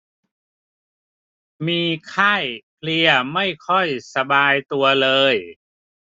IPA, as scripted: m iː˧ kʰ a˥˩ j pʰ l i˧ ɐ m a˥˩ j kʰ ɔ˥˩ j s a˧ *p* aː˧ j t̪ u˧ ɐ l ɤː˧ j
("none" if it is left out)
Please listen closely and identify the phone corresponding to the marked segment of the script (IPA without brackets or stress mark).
b